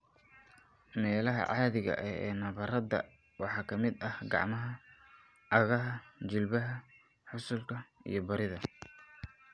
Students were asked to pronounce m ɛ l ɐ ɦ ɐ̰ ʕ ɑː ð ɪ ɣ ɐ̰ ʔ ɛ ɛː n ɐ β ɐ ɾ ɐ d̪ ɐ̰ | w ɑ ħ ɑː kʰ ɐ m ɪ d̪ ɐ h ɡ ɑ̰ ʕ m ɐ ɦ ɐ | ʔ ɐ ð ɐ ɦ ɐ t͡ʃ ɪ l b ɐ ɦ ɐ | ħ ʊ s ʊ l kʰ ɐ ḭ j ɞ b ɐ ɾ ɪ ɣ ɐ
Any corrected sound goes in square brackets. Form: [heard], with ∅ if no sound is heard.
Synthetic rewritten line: m [ɛː] l ɐ ɦ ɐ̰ ʕ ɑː ð ɪ ɣ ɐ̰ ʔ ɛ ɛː n ɐ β ɐ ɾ ɐ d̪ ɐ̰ | w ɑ ħ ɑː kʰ ɐ m ɪ d̪ ɐ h ɡ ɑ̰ ʕ m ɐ ɦ ɐ | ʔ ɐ [ɣ] ɐ ɦ ɐ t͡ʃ ɪ l b ɐ ɦ ɐ | ħ ʊ s ʊ l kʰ ɐ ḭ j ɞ b ɐ ɾ ɪ [ð] ɐ

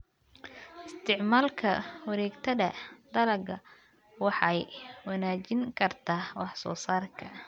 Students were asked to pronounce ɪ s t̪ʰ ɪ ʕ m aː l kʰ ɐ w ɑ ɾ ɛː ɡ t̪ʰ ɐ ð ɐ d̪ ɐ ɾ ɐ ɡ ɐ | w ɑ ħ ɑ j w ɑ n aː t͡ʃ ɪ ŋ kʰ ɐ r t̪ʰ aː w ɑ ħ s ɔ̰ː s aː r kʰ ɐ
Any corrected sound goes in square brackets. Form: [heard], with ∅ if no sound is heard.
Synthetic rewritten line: ɪ s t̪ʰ ɪ ʕ m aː l kʰ ɐ w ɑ ɾ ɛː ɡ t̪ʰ ɐ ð ɐ d̪ ɐ [l] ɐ ɡ ɐ | w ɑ ħ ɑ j w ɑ n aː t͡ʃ ɪ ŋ kʰ ɐ r t̪ʰ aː w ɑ ħ s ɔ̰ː s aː r kʰ ɐ

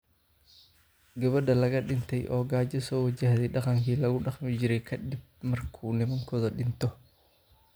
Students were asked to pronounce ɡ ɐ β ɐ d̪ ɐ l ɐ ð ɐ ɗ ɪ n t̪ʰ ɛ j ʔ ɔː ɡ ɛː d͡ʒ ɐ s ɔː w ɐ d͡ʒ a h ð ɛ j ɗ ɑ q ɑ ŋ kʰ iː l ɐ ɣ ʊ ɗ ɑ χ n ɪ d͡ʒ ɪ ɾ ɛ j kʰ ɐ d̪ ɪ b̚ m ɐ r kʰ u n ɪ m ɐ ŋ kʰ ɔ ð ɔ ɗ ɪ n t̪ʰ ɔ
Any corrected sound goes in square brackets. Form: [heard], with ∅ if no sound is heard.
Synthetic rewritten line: ɡ ɐ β ɐ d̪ ɐ l ɐ [ɣ] ɐ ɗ ɪ n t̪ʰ ɛ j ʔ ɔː ɡ [aː] d͡ʒ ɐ s ɔː w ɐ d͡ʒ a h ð ɛ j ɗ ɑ q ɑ ŋ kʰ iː l ɐ ɣ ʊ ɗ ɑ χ [m] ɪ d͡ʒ ɪ ɾ ɛ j kʰ ɐ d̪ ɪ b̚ m ɐ r kʰ u n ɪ m ɐ ŋ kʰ ɔ ð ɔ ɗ ɪ n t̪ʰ ɔ

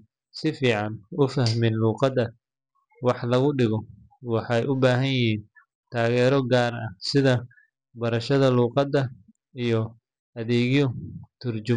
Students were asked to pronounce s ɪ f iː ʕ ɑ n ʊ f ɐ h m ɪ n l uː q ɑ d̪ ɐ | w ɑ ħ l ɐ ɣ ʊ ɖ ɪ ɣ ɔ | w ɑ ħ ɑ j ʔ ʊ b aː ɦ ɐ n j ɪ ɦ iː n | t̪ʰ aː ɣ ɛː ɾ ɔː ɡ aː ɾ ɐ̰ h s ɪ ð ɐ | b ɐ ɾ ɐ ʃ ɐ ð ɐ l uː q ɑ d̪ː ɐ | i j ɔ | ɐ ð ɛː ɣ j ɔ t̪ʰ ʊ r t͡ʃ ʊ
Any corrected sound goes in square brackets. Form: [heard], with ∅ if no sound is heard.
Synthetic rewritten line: s ɪ f iː ʕ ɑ n ʊ f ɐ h m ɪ n l uː q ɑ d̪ ɐ | w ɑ ħ l ɐ ɣ ʊ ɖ ɪ ɣ ɔ | w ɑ ħ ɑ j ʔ ʊ b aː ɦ ɐ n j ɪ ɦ iː n | t̪ʰ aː ɣ ɛː ɾ [ɔ] ɡ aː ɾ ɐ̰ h s ɪ ð ɐ | b ɐ ɾ ɐ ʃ ɐ ð ɐ l uː q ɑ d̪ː ɐ | i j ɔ | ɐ ð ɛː ɣ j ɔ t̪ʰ ʊ r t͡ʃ ʊ

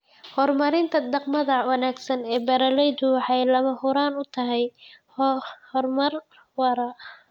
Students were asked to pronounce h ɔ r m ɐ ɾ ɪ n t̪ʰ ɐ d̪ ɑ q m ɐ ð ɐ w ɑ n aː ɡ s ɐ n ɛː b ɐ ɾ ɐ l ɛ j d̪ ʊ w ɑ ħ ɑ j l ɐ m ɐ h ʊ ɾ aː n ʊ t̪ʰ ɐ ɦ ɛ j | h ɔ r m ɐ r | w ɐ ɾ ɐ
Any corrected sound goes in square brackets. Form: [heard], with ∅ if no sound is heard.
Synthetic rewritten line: h ɔ r m ɐ ɾ ɪ n t̪ʰ ɐ d̪ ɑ q m ɐ ð ɐ w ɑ n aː ɡ s ɐ n ɛː b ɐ ɾ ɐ l ɛ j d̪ ʊ w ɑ ħ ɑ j l ɐ m ɐ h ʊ ɾ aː n ʊ t̪ʰ ɐ ɦ ɛ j | h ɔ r m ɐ r | w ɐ ɾ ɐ

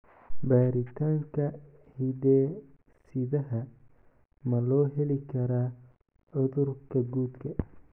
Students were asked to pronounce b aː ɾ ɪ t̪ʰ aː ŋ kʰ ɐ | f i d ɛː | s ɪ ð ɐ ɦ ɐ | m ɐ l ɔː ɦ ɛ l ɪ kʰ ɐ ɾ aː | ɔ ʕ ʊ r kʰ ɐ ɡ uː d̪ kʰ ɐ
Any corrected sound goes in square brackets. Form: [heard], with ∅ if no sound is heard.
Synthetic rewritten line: b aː ɾ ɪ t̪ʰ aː ŋ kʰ ɐ | [h] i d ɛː | s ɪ ð ɐ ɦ ɐ | m ɐ l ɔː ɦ ɛ l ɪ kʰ ɐ ɾ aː | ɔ [ð] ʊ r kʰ ɐ ɡ uː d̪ kʰ ɐ

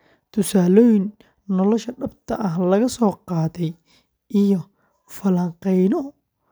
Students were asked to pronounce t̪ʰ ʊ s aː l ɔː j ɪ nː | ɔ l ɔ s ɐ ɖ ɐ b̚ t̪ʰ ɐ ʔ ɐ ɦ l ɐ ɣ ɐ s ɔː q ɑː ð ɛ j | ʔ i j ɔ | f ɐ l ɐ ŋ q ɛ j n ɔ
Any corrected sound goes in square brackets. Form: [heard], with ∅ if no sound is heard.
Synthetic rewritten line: t̪ʰ ʊ s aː l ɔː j ɪ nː | ɔ l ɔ [ʃ] ɐ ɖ ɐ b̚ t̪ʰ ɐ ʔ ɐ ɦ l ɐ ɣ ɐ s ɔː q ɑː ð ɛ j | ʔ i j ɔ | f ɐ l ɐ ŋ q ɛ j n ɔ

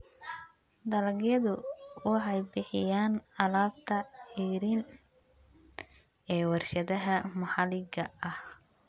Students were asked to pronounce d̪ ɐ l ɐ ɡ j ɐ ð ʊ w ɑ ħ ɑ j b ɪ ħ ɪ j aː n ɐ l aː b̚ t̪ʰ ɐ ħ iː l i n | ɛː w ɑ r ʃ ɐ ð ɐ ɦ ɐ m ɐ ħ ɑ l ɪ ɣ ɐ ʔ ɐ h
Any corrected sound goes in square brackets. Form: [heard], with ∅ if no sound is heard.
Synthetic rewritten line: d̪ ɐ l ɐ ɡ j ɐ ð ʊ w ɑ ħ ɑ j b ɪ ħ ɪ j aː n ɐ l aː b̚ t̪ʰ ɐ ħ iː [ɾ] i n | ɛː w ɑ r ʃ ɐ ð ɐ ɦ ɐ m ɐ ħ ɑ l ɪ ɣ ɐ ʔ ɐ h

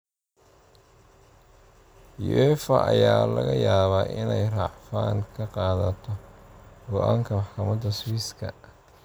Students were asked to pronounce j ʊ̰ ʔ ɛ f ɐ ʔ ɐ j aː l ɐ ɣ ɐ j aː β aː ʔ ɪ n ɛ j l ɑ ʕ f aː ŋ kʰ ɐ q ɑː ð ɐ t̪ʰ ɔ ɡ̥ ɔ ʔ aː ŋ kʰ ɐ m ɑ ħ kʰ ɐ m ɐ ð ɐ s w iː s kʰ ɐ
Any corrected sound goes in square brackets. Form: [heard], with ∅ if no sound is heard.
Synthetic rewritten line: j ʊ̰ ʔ ɛ f ɐ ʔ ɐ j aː l ɐ ɣ ɐ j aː β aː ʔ ɪ n ɛ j [r] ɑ ʕ f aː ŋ kʰ ɐ q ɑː ð ɐ t̪ʰ ɔ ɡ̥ ɔ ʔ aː ŋ kʰ ɐ m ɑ ħ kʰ ɐ m ɐ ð ɐ s w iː s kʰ ɐ

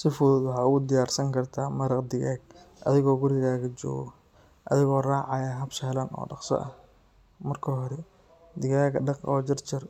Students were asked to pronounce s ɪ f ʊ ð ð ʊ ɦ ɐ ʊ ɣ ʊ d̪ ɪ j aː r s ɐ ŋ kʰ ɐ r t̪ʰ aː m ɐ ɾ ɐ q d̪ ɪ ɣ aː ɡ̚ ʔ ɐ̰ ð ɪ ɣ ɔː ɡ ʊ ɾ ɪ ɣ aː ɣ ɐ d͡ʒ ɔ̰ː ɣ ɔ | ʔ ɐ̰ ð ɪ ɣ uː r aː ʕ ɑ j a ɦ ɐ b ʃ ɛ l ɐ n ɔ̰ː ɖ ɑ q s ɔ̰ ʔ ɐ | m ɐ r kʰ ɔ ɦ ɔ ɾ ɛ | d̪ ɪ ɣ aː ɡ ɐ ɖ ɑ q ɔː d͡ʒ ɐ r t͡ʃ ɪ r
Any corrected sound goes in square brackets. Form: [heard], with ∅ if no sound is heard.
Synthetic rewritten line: s ɪ f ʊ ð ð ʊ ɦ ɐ ʊ ɣ ʊ d̪ ɪ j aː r s ɐ ŋ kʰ ɐ r t̪ʰ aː m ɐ ɾ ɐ q d̪ ɪ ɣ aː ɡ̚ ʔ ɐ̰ ð ɪ ɣ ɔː ɡ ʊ ɾ ɪ ɣ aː ɣ ɐ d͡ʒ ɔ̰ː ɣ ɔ | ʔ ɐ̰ ð ɪ ɣ [ɔː] r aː ʕ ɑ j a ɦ ɐ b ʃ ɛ l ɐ n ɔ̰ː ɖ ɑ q s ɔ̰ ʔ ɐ | m ɐ r kʰ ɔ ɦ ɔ ɾ ɛ | d̪ ɪ ɣ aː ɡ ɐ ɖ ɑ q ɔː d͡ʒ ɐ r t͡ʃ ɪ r

